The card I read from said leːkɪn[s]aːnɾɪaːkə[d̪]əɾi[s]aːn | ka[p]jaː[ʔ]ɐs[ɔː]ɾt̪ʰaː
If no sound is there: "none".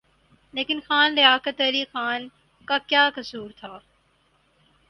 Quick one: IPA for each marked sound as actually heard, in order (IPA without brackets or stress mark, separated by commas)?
x, t̪, x, k, k, uː